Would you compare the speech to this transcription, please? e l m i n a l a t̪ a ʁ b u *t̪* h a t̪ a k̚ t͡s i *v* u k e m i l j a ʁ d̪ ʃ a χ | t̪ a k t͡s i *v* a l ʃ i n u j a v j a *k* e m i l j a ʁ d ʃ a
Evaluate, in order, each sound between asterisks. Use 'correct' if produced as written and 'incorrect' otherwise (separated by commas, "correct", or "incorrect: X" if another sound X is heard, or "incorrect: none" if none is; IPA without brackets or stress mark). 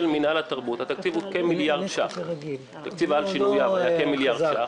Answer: correct, correct, correct, correct